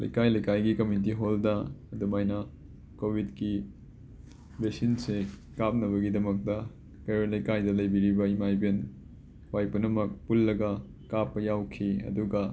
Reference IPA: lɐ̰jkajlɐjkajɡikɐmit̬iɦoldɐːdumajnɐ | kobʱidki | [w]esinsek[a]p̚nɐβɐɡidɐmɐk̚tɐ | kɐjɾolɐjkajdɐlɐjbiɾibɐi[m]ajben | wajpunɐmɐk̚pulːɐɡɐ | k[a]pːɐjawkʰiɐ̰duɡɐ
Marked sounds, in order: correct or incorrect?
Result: incorrect, correct, correct, correct

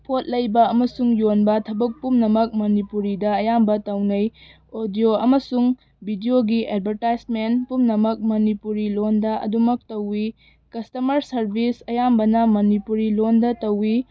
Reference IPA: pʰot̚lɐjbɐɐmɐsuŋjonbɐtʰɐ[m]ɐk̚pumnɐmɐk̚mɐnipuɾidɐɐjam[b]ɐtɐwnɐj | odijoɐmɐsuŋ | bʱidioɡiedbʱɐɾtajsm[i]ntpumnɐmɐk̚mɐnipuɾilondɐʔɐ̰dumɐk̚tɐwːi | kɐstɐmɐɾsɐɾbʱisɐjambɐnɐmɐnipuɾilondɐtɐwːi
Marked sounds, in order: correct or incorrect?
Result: incorrect, correct, incorrect

